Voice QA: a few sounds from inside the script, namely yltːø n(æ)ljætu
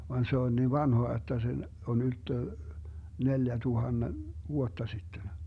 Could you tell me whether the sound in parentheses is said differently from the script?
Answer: yes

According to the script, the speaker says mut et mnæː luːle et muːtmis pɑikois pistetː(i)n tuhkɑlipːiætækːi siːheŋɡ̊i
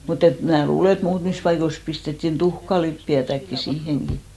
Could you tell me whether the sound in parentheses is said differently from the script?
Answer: no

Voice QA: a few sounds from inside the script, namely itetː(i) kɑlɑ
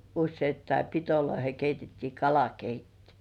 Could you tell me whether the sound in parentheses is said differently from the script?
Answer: yes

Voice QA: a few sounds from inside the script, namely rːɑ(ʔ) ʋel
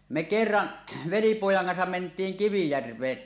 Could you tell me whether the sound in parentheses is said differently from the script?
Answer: no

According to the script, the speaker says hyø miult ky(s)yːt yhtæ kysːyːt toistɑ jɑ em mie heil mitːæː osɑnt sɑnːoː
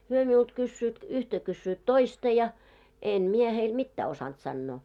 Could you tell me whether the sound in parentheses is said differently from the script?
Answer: yes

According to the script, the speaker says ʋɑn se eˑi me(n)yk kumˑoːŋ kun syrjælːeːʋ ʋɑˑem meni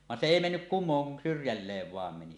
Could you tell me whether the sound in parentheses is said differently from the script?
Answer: yes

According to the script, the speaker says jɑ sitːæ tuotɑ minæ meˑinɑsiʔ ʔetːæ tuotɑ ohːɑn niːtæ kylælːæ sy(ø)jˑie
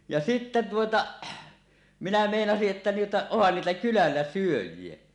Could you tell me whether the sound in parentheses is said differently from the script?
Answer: no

